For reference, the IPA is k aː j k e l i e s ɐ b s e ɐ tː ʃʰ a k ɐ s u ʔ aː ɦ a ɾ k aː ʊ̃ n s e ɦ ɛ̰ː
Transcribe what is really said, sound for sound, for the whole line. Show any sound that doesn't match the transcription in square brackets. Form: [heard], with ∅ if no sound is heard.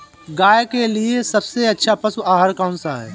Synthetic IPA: [ɡ] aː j k e l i e s ɐ b s e ɐ tː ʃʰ a [p] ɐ s u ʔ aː ɦ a ɾ k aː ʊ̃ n s [a] ɦ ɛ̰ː